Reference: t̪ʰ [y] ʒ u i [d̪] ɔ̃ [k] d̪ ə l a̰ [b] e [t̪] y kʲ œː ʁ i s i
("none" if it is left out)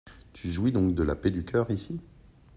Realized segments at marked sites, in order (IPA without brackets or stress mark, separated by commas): y, d̪, k, p, d̪